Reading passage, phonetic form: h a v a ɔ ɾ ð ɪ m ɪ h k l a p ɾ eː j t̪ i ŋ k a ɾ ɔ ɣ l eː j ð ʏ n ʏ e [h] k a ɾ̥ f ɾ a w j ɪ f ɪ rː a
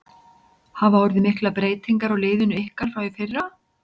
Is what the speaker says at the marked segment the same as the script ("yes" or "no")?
yes